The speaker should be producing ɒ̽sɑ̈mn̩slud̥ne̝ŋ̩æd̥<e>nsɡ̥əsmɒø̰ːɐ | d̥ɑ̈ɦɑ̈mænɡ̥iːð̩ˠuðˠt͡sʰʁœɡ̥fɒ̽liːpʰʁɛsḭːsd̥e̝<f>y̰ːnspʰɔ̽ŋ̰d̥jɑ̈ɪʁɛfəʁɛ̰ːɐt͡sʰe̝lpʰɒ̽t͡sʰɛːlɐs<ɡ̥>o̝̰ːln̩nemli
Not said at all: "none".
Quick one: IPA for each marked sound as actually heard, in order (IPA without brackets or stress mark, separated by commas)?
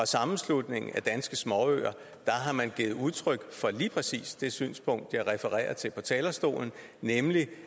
æ, s, d̥